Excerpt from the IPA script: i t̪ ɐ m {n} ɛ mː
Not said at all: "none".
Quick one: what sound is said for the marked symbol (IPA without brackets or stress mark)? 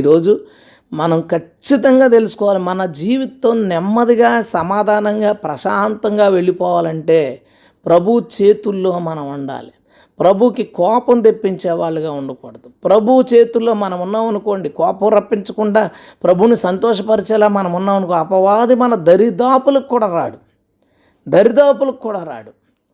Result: n